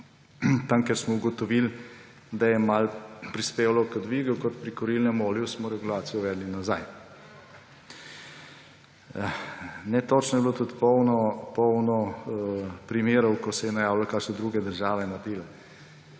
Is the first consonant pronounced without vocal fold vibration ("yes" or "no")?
yes